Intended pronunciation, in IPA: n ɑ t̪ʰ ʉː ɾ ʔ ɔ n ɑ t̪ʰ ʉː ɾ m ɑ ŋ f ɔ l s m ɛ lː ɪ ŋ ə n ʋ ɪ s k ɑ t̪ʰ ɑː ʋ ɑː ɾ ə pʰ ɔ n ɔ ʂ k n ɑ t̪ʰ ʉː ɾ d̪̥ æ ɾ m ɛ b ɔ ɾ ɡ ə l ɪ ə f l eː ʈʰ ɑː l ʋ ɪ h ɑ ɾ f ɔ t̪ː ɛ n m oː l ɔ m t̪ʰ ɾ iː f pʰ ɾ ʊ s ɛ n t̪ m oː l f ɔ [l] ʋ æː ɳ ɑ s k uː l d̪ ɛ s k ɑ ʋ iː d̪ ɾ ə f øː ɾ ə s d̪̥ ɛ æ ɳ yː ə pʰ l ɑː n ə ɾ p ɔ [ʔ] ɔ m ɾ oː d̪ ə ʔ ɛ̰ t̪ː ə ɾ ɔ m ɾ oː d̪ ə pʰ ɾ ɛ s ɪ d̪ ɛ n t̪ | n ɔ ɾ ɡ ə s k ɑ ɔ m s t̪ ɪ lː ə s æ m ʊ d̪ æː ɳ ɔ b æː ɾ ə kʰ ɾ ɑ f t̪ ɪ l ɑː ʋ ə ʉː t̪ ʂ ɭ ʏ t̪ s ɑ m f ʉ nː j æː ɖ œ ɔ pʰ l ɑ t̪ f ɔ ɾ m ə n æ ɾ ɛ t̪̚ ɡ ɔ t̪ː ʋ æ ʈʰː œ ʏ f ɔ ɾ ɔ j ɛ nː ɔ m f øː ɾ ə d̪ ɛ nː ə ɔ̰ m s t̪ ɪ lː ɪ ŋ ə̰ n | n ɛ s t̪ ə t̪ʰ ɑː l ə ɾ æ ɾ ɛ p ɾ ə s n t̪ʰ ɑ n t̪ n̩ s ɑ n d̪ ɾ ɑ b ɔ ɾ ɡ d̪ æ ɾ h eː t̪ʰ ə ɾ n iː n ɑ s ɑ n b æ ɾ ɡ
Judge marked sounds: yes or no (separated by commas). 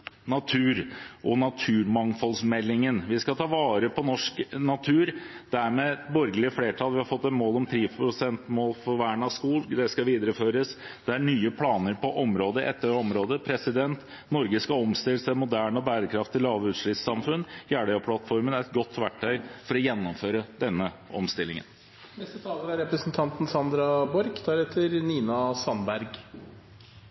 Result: no, yes